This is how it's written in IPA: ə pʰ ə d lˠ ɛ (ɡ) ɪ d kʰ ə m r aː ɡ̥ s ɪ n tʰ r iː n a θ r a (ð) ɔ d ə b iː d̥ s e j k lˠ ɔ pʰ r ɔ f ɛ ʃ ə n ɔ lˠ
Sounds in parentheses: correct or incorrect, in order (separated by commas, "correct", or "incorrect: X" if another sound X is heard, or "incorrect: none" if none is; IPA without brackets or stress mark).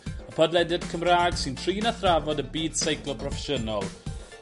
incorrect: d, incorrect: v